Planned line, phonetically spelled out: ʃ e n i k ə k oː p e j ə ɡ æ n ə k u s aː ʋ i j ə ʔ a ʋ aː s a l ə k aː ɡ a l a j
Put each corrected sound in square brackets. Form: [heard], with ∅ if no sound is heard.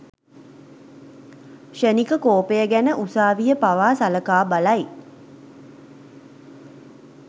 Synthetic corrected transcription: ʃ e n i k ə k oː p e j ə ɡ æ n ə [ʔ] u s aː ʋ i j ə [p] a ʋ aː s a l ə k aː [b] a l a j